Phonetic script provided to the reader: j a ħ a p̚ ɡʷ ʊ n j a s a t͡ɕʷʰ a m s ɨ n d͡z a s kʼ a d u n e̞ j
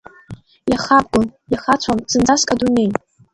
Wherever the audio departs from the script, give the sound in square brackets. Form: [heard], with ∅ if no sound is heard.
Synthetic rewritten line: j a [χ] a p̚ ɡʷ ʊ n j a [χ] a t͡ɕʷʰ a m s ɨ n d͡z a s kʼ a d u n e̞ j

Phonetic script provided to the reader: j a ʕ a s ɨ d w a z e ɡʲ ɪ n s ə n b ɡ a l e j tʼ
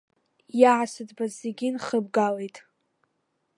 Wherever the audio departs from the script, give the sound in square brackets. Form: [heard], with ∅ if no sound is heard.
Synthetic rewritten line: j a ʕ a s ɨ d [b] a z e ɡʲ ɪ n [χ] ə [∅] b ɡ a l e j tʼ

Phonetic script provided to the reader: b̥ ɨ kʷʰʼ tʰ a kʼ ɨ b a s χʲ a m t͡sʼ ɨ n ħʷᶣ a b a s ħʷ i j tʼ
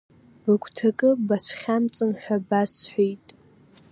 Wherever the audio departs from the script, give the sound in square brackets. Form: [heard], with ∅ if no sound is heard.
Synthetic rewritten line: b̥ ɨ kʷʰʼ tʰ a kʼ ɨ b a s χʲ a m t͡sʼ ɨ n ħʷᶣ a b a s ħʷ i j tʼ

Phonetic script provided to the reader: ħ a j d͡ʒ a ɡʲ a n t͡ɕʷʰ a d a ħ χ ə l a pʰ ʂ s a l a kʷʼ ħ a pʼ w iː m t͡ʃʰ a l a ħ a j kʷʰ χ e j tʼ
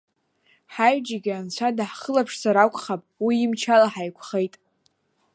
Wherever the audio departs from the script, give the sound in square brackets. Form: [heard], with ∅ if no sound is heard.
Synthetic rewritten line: ħ a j d͡ʒ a ɡʲ a n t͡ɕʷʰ a d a ħ χ ə l a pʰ ʂ s a [ɾ] a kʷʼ [χ] a pʼ w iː m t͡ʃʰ a l a ħ a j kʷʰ χ e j tʼ

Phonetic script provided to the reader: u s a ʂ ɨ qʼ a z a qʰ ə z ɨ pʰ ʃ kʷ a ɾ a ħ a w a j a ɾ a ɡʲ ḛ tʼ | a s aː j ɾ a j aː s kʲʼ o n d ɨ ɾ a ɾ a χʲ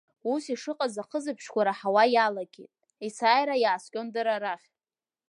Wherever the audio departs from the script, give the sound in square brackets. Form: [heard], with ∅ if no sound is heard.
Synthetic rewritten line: u s [i] ʂ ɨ qʼ a z a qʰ ə z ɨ pʰ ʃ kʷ a ɾ a ħ a w a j a [l] a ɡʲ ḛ tʼ | [i] s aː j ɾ a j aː s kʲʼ o n d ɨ ɾ a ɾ a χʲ

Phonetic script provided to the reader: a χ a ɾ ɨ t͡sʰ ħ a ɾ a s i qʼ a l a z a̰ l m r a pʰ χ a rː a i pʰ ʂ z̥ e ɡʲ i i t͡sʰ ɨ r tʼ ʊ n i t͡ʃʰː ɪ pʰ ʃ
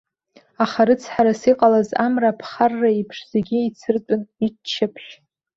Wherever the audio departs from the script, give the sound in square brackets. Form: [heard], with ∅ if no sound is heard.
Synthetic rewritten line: a χ a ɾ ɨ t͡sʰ ħ a ɾ a s i qʼ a l a z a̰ [∅] m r a pʰ χ a rː a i pʰ ʂ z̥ e ɡʲ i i t͡sʰ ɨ r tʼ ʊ n i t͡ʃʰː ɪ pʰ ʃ

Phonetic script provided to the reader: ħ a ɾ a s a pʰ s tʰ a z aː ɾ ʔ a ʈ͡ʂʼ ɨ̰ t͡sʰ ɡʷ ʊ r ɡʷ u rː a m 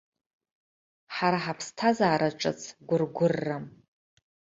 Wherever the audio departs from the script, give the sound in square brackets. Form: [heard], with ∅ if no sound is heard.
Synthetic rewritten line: ħ a ɾ a [ħ] a pʰ s tʰ a z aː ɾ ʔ a ʈ͡ʂʼ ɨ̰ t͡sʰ ɡʷ ʊ r ɡʷ [ʊ] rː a m

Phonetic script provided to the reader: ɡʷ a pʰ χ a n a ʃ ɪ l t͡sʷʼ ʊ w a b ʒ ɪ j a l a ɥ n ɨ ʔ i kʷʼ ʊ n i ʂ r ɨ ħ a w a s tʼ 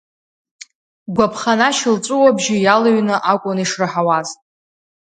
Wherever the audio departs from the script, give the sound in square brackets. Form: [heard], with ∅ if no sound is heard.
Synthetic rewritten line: ɡʷ a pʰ χ a n a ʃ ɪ l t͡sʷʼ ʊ w a b ʒ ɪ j a l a ɥ n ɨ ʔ [a] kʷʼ ʊ n i ʂ r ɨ ħ a w a [z] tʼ

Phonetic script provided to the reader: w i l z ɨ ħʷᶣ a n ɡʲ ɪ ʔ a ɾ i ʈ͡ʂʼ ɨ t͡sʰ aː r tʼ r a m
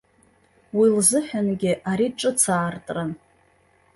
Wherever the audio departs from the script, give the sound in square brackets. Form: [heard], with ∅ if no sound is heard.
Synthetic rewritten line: w i l z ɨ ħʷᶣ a n ɡʲ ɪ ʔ a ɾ i ʈ͡ʂʼ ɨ t͡sʰ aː r tʼ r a [n]

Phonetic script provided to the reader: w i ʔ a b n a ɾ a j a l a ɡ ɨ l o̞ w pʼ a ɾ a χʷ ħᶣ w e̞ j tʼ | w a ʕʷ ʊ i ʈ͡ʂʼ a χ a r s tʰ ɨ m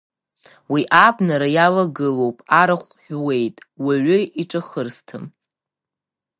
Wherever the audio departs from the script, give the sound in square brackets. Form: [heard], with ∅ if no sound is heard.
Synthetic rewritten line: w i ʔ a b n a ɾ a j a l a ɡ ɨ l o̞ w pʼ a ɾ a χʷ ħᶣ w e̞ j tʼ | w a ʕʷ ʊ i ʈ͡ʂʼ a χ [ə] r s tʰ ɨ m

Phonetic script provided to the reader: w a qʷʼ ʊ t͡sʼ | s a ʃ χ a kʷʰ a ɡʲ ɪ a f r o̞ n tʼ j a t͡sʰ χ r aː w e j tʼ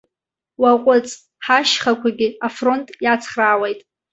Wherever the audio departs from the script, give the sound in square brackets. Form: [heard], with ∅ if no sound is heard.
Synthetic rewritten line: w a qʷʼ ʊ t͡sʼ | [ħ] a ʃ χ a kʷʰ a ɡʲ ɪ a f r o̞ n tʼ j a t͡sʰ χ r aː w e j tʼ

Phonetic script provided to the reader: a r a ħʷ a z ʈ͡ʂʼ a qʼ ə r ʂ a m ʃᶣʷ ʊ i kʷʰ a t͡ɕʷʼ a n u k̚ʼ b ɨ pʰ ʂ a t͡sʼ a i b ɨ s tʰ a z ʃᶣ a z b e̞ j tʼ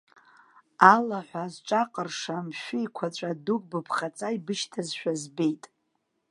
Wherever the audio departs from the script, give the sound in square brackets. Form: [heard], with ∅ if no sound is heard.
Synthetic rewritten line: a [l] a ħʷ a z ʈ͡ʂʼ a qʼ ə r ʂ a m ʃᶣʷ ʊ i kʷʰ a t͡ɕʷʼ a [d] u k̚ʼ b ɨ pʰ [χ] a t͡sʼ a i b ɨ [ʃ] tʰ a z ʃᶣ a z b e̞ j tʼ

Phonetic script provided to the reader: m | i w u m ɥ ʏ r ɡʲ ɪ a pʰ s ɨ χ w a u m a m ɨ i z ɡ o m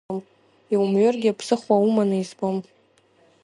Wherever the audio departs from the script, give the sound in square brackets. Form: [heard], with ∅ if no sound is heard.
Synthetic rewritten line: m | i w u m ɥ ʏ r ɡʲ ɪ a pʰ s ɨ χ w a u m a [n] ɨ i z [b] o m

